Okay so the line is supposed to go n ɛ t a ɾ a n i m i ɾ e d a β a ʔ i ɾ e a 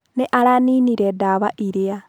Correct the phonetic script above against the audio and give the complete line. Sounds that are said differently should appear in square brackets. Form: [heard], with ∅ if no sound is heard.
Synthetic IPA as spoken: n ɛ [ʔ] a ɾ a n i [n] i ɾ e d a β a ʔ i ɾ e a